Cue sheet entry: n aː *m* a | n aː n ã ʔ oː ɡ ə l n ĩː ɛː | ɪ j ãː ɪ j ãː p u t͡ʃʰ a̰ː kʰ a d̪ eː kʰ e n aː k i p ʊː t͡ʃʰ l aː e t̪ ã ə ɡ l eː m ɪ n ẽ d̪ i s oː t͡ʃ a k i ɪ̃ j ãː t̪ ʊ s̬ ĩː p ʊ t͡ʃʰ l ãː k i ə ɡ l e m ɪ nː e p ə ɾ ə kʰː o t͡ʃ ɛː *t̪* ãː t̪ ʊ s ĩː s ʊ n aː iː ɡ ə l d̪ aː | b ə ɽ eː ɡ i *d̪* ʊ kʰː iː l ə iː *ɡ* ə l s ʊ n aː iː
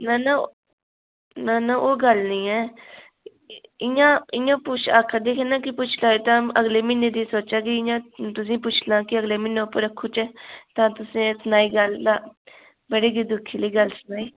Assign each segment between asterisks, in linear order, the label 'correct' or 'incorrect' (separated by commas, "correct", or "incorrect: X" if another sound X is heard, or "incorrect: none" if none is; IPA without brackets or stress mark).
incorrect: n, correct, correct, correct